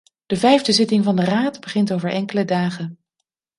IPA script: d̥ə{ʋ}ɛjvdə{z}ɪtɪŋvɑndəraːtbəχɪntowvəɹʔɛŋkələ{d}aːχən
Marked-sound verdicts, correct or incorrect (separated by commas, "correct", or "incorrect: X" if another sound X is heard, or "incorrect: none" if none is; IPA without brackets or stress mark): incorrect: v, correct, correct